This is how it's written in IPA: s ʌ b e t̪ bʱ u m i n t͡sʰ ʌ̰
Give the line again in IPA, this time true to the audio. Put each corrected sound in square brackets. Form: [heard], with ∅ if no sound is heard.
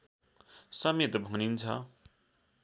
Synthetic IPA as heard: s ʌ [m] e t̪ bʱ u [n] i n t͡sʰ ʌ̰